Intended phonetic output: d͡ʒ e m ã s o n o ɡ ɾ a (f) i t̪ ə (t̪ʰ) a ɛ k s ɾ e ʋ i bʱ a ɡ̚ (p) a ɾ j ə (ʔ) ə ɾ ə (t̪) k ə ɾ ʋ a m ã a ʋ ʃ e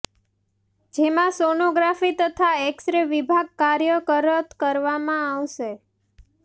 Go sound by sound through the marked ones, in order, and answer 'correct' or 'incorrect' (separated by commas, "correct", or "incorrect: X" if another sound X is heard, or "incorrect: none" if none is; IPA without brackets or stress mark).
correct, correct, incorrect: k, incorrect: k, correct